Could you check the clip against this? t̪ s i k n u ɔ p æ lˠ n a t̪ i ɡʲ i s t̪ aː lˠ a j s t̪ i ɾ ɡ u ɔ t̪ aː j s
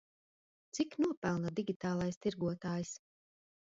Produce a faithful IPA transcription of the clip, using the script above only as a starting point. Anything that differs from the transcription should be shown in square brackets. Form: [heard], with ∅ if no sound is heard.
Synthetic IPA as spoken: t̪ s i k n u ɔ p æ lˠ n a [d̪] i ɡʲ i [∅] t̪ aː lˠ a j s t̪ i ɾ ɡ u ɔ t̪ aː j s